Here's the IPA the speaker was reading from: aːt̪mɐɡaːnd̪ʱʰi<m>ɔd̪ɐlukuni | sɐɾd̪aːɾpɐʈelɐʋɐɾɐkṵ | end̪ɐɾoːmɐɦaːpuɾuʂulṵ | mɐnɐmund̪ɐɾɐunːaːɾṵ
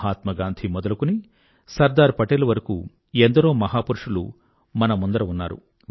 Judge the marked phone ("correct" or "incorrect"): correct